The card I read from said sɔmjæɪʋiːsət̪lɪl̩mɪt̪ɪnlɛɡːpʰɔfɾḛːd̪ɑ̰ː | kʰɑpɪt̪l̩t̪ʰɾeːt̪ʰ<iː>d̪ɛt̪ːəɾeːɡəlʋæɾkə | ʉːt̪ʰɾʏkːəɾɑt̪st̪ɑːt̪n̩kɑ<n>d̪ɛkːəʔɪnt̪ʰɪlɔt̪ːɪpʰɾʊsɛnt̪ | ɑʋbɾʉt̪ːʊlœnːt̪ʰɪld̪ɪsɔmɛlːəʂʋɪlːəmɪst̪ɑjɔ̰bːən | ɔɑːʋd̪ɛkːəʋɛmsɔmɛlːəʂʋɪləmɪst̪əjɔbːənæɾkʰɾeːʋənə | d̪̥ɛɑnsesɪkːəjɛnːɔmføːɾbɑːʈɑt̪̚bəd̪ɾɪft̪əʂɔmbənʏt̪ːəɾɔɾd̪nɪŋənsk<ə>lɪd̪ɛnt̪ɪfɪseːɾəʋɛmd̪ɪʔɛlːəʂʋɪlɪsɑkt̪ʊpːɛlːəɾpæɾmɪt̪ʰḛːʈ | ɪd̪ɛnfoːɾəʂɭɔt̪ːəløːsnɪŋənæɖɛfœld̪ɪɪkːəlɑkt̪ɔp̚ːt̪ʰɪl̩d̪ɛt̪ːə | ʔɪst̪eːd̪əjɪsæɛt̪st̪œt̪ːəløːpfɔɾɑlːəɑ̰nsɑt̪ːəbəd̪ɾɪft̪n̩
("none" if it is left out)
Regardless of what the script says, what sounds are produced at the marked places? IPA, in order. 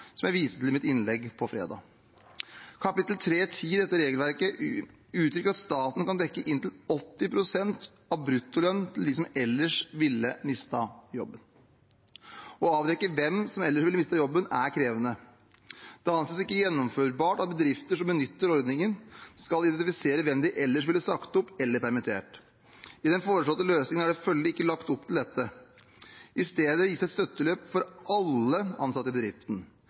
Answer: iː, n, ɑ

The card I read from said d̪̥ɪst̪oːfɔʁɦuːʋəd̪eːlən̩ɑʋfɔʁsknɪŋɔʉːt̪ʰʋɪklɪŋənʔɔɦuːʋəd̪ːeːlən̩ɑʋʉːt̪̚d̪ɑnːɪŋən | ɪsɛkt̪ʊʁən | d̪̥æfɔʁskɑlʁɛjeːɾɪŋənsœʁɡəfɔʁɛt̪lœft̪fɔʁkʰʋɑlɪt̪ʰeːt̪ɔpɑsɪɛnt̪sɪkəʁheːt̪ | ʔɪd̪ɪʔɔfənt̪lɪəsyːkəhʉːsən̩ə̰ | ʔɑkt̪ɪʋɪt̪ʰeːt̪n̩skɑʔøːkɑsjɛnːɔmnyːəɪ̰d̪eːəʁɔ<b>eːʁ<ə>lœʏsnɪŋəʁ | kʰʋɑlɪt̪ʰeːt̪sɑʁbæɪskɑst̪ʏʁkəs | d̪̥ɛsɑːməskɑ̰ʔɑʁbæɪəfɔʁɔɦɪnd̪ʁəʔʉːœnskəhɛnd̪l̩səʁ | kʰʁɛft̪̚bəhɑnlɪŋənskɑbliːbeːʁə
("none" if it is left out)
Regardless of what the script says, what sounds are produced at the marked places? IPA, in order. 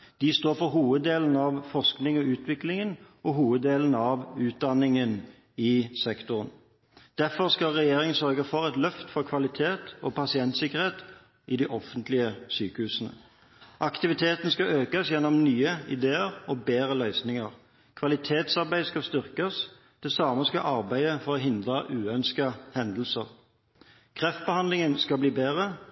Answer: b, ə

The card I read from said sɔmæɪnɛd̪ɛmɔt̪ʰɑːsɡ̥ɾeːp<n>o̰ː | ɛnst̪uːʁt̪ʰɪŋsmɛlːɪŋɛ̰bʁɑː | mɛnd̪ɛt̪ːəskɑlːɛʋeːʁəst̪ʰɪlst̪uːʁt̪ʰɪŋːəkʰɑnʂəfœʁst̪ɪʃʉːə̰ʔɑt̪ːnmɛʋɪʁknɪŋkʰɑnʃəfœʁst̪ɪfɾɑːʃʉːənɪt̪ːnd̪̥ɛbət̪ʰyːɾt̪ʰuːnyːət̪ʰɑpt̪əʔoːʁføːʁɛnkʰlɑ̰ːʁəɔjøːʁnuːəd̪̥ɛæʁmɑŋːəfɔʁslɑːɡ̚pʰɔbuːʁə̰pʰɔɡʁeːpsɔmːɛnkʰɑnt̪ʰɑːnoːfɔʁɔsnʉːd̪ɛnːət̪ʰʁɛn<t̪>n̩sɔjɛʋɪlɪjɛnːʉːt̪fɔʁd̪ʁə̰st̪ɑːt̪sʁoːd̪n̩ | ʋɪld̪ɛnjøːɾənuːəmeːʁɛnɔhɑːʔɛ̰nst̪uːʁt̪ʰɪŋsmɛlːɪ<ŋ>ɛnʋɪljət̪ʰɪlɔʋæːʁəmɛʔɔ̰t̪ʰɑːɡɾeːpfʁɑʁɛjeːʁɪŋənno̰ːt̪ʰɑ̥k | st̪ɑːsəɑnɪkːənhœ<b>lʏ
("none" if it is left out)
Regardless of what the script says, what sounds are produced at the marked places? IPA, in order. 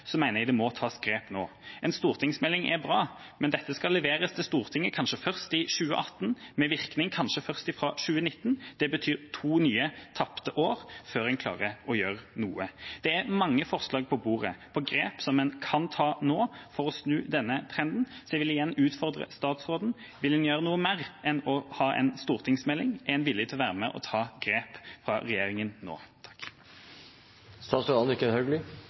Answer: n, d̪, ŋ, ɡ

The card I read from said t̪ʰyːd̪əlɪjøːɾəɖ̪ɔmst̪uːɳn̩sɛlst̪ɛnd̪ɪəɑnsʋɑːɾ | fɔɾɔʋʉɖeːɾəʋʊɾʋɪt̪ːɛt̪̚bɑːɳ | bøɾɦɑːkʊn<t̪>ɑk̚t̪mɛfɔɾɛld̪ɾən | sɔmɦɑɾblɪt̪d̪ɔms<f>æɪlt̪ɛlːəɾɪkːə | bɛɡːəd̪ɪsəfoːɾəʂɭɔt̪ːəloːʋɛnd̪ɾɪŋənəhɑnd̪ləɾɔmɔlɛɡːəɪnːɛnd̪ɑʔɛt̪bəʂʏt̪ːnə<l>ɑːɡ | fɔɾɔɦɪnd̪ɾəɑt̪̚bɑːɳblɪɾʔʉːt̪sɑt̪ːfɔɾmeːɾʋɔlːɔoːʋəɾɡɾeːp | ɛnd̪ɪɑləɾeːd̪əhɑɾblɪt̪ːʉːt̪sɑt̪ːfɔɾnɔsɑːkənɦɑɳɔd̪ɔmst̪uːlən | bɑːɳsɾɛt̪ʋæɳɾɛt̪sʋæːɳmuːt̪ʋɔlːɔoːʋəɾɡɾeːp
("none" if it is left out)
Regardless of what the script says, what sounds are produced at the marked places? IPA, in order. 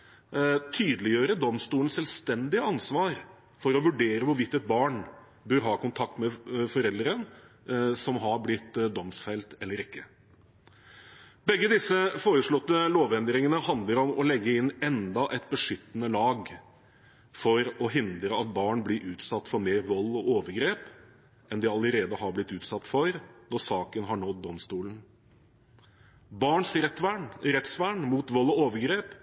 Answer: t̪ʰ, f, l

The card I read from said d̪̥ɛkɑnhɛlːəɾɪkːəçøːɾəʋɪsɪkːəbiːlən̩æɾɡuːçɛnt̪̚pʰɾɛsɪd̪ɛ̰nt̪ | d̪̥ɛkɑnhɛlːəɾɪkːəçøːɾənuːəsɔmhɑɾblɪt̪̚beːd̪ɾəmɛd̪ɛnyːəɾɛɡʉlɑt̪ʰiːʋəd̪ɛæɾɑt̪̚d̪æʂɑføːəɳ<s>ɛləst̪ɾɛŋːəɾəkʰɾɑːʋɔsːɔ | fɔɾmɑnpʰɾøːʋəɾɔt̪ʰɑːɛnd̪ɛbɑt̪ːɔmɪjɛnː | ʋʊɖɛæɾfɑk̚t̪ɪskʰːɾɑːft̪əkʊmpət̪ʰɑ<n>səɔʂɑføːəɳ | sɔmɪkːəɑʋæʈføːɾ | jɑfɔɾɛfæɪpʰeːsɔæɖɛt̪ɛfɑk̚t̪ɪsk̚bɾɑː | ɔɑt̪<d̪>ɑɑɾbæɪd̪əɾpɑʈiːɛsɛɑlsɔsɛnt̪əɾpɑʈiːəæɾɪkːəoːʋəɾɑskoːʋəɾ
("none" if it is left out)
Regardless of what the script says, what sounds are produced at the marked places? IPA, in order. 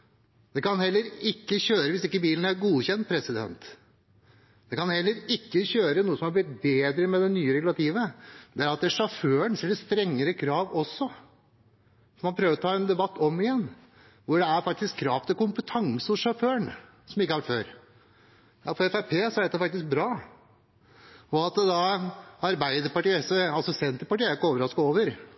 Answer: s, ŋ, d̪

